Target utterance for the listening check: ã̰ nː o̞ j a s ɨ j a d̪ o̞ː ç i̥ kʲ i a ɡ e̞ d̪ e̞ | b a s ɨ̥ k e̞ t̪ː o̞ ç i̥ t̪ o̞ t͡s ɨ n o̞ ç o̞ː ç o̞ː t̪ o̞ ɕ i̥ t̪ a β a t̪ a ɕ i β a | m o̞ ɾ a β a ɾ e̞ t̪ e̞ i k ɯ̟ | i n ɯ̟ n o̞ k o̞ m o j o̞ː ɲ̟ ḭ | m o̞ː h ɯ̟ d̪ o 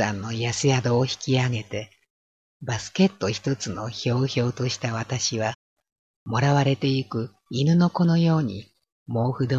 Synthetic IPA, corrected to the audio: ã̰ nː o̞ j a s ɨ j a d̪ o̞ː ç i̥ kʲ i a ɡ e̞ t̪ e̞ | b a s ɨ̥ k e̞ t̪ː o̞ ç i̥ t̪ o̞ t͡s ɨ n o̞ ç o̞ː ç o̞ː t̪ o̞ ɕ i̥ t̪ a β a t̪ a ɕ i β a | m o̞ ɾ a β a ɾ e̞ t̪ e̞ i k ɯ̟ | i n ɯ̟ n o̞ k o̞ n o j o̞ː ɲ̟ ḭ | m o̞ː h ɯ̟ d̪ o